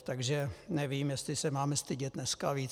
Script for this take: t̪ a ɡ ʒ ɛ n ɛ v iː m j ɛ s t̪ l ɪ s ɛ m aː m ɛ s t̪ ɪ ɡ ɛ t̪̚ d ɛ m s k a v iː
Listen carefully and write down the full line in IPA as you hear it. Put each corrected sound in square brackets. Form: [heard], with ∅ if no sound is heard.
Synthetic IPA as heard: t̪ a ɡ ʒ ɛ n ɛ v iː m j ɛ s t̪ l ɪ s ɛ m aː m ɛ s t̪ ɪ [ɟ] ɛ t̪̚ [n] ɛ [∅] s k a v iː